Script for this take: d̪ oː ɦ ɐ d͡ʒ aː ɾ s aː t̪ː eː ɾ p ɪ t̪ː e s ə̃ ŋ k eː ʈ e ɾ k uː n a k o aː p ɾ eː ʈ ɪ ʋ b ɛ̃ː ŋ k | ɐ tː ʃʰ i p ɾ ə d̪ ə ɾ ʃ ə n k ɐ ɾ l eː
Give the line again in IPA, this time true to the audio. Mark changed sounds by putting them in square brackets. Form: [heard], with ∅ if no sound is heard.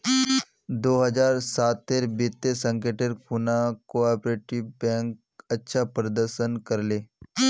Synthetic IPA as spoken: d̪ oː ɦ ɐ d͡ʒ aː ɾ s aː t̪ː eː ɾ [b] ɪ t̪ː e s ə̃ ŋ k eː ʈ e ɾ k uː n a k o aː p ɾ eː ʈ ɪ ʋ b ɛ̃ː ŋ k | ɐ tː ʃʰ [a] p ɾ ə d̪ ə ɾ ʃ ə n k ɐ ɾ l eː